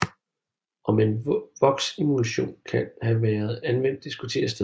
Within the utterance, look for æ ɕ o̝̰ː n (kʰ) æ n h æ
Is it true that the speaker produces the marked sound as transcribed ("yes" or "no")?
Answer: yes